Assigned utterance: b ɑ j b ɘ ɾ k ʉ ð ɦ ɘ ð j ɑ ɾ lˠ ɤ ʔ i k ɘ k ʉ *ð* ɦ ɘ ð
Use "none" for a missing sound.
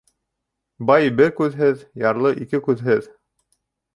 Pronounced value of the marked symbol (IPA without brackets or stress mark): ð